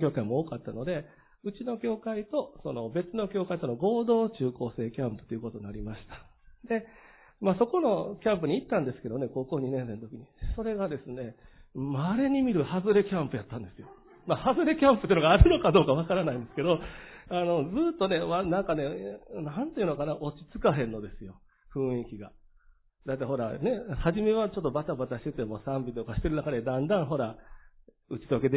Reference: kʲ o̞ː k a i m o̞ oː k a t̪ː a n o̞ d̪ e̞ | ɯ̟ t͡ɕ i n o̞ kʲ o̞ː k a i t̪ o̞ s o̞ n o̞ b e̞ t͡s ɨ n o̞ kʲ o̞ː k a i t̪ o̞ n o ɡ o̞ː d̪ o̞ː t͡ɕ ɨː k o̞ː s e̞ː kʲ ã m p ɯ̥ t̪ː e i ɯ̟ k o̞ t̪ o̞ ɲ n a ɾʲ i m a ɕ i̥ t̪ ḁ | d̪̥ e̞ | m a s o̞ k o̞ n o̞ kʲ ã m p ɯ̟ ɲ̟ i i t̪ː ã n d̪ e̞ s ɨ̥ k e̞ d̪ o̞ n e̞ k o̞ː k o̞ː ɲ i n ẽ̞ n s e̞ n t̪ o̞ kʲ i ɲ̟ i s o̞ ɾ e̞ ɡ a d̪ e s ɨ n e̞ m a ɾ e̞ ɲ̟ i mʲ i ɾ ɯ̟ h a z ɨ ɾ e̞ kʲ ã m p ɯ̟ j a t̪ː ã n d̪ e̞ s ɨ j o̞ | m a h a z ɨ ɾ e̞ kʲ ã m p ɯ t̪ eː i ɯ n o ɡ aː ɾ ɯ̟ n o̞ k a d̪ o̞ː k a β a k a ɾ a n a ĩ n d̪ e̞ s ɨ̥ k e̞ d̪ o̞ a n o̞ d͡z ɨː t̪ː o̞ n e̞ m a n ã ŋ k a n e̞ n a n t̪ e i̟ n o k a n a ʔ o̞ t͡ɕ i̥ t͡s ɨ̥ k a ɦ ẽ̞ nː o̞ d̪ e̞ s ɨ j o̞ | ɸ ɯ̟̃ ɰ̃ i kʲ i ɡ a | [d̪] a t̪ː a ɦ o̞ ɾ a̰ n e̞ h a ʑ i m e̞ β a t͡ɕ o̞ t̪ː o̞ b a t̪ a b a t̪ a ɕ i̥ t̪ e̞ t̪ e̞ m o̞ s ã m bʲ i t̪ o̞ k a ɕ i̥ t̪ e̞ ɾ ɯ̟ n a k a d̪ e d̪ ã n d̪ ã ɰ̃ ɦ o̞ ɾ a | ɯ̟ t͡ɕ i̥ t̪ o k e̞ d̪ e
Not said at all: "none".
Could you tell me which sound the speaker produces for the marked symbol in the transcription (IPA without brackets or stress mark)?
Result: d̪